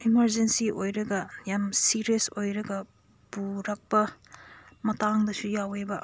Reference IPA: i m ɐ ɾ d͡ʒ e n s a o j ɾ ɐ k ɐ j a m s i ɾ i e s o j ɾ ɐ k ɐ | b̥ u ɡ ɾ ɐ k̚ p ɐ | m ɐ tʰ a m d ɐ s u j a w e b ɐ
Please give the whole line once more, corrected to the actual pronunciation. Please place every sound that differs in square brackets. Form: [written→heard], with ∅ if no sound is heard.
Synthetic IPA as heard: i m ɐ ɾ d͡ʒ e n s [a→i] o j ɾ ɐ [k→ɡ] ɐ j a m s i ɾ i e s o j ɾ ɐ [k→ɡ] ɐ | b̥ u [ɡ→∅] ɾ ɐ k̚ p ɐ | m ɐ [tʰ→t] a [m→ŋ] d ɐ s u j a w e b ɐ